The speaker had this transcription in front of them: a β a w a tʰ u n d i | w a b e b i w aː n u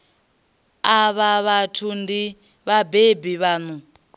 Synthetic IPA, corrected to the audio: a β a β a tʰ u n d i | β a b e b i β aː n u